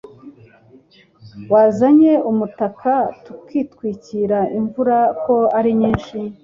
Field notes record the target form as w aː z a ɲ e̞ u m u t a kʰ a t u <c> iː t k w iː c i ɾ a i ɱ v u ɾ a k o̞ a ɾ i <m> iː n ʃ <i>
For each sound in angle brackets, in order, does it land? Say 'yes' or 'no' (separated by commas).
no, no, yes